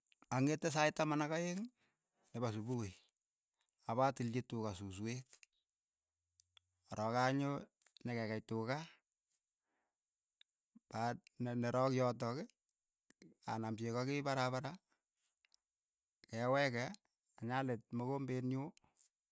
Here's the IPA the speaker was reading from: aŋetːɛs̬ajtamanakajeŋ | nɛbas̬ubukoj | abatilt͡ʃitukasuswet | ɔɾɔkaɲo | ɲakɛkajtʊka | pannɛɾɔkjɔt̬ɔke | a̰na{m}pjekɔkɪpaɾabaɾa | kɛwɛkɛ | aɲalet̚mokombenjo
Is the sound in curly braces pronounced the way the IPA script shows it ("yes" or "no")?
yes